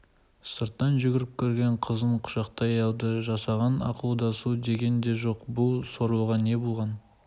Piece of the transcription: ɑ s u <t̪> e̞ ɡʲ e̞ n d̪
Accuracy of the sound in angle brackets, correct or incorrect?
incorrect: d̪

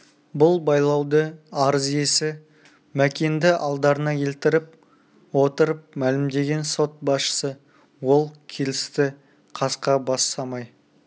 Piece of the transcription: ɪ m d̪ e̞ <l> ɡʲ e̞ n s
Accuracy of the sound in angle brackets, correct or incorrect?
incorrect: none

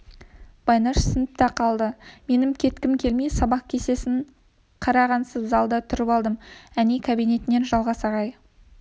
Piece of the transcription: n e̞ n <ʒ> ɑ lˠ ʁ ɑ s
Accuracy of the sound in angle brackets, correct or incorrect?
correct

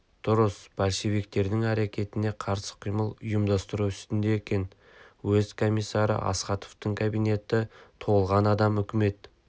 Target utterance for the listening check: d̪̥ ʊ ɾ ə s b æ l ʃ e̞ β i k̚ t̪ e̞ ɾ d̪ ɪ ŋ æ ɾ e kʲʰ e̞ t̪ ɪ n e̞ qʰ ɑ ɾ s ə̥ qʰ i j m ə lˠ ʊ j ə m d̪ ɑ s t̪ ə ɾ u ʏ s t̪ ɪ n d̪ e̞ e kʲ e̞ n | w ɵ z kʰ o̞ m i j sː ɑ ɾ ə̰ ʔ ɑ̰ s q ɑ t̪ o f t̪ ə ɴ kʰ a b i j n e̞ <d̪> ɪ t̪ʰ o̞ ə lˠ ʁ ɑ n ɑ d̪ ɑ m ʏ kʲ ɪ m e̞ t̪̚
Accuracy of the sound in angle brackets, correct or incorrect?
incorrect: t̪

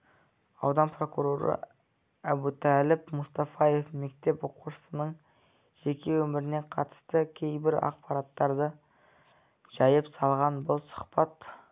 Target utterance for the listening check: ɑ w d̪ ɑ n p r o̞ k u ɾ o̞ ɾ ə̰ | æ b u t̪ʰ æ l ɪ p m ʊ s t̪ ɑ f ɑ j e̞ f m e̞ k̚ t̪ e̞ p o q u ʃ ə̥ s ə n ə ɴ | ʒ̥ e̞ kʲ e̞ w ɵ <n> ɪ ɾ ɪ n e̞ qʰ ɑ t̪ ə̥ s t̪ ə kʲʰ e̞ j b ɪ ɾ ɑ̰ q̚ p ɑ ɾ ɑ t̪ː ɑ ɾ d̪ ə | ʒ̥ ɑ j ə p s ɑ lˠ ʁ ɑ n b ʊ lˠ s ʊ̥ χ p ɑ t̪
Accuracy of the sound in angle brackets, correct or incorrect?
incorrect: m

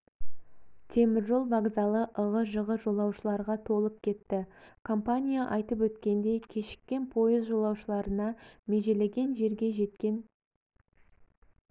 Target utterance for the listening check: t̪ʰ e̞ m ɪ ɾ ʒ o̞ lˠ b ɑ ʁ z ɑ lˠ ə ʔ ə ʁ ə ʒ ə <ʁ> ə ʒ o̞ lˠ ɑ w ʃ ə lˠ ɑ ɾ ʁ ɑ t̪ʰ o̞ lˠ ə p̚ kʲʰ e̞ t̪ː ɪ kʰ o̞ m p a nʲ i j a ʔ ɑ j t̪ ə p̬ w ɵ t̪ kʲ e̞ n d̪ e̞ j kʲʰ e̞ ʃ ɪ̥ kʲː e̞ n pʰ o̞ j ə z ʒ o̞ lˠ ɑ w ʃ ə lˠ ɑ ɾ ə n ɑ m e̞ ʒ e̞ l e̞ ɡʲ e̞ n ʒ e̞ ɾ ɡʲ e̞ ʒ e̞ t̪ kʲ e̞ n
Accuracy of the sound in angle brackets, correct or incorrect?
correct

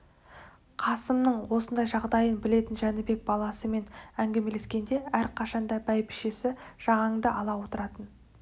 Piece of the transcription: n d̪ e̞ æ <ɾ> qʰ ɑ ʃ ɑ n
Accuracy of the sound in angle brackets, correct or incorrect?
correct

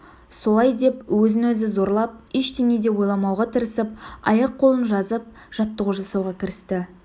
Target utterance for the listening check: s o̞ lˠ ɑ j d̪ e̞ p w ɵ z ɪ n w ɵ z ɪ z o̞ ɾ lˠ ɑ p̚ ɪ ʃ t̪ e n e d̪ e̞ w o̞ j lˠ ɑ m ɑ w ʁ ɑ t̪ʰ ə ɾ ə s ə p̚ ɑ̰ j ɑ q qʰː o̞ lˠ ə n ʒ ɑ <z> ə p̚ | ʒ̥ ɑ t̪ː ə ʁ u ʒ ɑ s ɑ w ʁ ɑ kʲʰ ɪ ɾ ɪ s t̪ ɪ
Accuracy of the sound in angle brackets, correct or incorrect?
correct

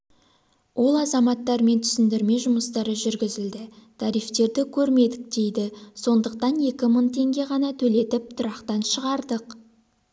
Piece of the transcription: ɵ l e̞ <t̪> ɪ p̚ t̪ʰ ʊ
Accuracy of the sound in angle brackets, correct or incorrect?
correct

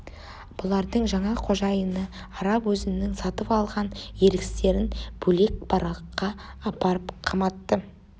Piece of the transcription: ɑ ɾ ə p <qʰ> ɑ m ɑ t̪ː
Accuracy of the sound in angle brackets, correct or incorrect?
correct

